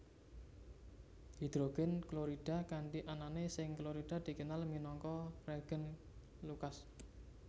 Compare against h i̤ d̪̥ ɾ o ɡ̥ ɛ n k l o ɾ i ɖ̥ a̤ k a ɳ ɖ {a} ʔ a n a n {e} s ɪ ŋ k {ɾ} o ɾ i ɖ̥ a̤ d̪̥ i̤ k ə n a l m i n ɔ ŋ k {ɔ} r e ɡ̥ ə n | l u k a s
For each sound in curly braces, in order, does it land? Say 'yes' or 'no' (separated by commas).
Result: no, yes, no, yes